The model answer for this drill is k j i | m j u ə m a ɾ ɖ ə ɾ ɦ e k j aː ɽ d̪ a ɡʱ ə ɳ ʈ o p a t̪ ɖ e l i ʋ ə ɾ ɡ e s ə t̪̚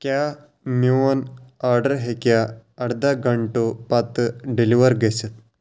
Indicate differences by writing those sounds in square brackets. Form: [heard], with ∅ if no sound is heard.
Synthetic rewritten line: k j [a] | m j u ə [n] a ɾ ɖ ə ɾ ɦ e k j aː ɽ d̪ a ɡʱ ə ɳ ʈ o p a t̪ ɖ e l i ʋ ə ɾ ɡ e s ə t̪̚